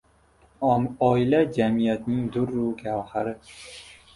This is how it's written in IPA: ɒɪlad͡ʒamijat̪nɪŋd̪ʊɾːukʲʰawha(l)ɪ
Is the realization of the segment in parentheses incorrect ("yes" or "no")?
yes